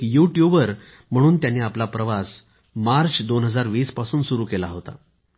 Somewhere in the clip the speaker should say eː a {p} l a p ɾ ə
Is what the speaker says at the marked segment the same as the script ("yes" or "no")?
yes